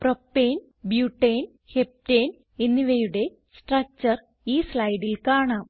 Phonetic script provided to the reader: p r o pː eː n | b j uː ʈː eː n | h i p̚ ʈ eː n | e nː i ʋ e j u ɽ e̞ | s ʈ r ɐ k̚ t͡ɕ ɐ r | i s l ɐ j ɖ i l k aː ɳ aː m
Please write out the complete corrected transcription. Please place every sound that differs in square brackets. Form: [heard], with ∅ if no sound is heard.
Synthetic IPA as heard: p r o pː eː n | b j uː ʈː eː n | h [e] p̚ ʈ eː n | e nː i ʋ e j u ɽ e̞ | s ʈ r ɐ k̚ t͡ɕ ɐ r | [iː] s l ɐ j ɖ i l k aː ɳ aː m